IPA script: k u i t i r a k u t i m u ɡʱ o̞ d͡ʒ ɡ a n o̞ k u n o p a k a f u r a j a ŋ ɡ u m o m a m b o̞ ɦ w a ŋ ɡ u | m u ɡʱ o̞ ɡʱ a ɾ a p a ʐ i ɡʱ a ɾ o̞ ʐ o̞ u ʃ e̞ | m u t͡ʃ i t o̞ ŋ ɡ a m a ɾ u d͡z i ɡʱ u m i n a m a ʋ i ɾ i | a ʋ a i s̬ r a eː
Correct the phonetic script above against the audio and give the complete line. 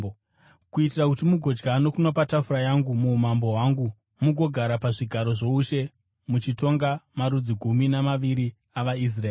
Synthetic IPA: k u i t i r a k u t i m u ɡʱ o̞ d͡ʒ ɡ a n o̞ k u n o p a t a f u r a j a ŋ ɡ u m u m a m b o̞ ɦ w a ŋ ɡ u | m u ɡʱ o̞ ɡʱ a ɾ a p a ʐ i ɡʱ a ɾ o̞ ʐ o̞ u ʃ e̞ | m u t͡ʃ i t o̞ ŋ ɡ a m a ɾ u d͡z i ɡʱ u m i n a m a ʋ i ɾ i | a ʋ a i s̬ r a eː